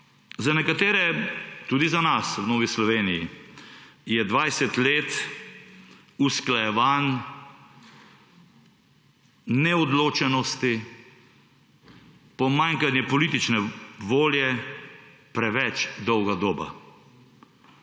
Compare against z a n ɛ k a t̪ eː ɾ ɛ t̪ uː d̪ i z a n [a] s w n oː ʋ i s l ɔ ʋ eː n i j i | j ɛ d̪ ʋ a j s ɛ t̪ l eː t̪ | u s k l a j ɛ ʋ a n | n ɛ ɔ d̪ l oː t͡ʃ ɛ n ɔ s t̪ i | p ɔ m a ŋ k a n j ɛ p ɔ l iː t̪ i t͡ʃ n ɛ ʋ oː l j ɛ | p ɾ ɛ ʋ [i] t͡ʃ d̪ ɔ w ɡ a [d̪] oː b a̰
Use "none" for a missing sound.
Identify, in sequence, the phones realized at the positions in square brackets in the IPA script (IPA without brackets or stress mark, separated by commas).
a, ɛ, d̪